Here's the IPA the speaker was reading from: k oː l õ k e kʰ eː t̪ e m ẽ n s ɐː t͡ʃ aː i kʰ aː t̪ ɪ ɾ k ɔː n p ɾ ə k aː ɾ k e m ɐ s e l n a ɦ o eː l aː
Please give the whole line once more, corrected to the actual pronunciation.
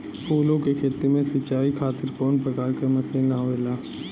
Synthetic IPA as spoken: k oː l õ k e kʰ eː t̪ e m ẽ s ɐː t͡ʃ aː i kʰ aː t̪ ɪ ɾ k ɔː n p ɾ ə k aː ɾ k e m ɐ s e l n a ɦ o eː l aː